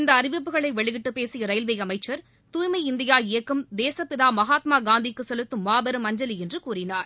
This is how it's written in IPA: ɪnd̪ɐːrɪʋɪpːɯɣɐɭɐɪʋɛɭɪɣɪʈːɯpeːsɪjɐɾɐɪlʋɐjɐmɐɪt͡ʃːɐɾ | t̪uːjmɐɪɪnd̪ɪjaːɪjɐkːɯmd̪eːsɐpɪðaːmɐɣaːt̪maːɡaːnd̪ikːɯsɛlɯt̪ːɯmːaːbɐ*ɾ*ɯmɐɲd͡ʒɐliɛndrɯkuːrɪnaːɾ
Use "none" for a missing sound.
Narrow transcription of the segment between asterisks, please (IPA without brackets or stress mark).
ɾ